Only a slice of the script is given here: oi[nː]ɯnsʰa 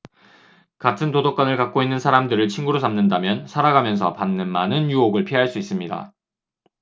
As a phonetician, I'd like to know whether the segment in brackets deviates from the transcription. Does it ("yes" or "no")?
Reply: no